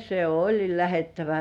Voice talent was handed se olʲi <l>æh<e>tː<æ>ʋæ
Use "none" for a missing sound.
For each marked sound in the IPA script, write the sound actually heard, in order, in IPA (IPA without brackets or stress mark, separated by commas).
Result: l, e, æ